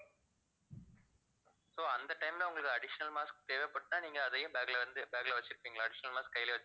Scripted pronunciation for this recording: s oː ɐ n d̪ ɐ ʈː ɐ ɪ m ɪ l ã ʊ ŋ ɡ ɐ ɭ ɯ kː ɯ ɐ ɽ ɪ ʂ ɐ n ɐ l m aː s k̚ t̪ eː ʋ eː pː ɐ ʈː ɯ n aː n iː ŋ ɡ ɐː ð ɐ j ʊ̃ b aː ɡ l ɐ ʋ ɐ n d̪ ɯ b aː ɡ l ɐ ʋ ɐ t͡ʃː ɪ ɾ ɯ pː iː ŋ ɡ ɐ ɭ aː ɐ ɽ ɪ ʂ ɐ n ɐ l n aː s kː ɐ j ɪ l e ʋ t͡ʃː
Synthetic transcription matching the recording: s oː ɐ n d̪ ɐ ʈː ɐ ɪ m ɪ l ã ʊ ŋ ɡ ɐ ɭ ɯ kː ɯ ɐ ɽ ɪ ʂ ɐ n ɐ l m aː s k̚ t̪ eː ʋ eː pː ɐ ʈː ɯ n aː n iː ŋ ɡ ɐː ð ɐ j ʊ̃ b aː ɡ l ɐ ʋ ɐ n d̪ ɯ b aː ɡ l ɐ ʋ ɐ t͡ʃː ɪ ɾ ɯ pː iː ŋ ɡ ɐ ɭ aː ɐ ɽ ɪ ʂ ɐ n ɐ l m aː s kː ɐ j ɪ l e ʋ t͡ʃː